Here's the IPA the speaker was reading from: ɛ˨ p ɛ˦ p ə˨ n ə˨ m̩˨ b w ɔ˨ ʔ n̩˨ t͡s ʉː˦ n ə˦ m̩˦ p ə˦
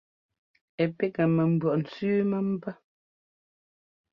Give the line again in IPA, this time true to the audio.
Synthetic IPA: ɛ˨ p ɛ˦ k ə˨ m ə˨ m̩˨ b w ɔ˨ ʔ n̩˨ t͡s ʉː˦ m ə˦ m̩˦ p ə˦